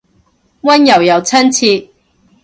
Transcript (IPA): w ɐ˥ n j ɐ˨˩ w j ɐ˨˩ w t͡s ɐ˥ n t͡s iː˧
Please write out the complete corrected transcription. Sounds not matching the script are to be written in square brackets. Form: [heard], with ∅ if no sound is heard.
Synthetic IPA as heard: w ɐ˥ n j ɐ˨˩ w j ɐ˨˩ w [t͡sʰ] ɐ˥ n [t͡sʰ] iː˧